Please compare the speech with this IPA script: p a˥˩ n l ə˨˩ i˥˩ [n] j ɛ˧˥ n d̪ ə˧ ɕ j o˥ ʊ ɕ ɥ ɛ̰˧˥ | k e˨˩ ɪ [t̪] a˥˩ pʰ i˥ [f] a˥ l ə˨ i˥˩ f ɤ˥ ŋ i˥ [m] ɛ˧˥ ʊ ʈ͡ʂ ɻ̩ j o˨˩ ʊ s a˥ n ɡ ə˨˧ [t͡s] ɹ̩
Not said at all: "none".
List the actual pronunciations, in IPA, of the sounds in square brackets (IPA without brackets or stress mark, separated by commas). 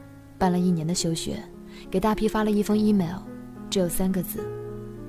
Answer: n, t̪, f, m, t͡s